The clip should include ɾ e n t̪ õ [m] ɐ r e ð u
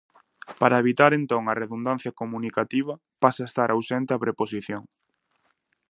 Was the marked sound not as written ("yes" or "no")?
yes